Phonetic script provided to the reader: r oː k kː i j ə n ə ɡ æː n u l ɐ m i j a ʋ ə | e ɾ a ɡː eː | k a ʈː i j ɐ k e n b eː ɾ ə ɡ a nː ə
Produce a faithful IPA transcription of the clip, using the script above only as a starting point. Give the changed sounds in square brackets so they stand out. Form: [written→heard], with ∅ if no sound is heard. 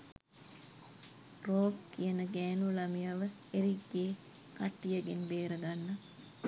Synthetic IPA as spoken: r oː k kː i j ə n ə ɡ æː n u l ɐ m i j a ʋ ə | e ɾ [a→i] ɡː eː | k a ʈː i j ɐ [k→ɡ] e n b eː ɾ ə ɡ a nː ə